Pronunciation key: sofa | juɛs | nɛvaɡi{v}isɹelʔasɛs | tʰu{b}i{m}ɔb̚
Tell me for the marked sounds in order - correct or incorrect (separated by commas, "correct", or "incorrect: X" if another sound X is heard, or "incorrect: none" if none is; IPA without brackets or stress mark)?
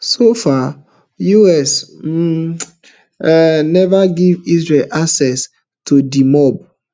correct, incorrect: d, correct